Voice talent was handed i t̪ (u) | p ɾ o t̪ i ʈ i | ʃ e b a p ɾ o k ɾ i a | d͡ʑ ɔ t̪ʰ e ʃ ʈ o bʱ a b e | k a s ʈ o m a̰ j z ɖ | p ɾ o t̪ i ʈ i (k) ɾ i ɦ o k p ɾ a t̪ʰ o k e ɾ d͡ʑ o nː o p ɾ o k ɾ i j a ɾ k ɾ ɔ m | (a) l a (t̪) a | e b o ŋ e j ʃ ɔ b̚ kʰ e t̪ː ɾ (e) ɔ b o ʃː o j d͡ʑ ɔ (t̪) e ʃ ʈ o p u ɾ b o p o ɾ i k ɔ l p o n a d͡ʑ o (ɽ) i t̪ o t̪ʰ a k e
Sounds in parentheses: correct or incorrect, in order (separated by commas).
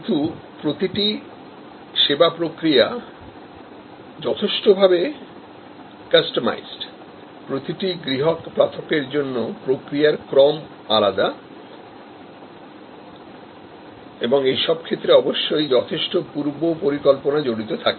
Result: correct, incorrect, correct, incorrect, correct, incorrect, correct